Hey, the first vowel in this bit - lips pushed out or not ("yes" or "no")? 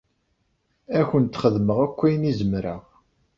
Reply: no